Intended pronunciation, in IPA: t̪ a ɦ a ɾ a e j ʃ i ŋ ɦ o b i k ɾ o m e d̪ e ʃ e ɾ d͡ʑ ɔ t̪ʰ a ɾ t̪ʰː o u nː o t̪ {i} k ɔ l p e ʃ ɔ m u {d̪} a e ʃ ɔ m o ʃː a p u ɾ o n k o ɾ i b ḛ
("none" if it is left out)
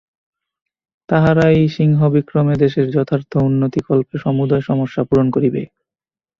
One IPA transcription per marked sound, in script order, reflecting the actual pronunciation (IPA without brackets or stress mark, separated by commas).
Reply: i, d̪